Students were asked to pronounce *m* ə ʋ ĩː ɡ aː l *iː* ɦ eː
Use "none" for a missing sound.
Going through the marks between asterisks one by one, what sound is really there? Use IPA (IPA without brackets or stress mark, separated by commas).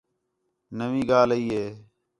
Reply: n, iː